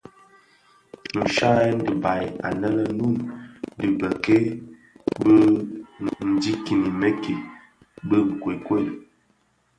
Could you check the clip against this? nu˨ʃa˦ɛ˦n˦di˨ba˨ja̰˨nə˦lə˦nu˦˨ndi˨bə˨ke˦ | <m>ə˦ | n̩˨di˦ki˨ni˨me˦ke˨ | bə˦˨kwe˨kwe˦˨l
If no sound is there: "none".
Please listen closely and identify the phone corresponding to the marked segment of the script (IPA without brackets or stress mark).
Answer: b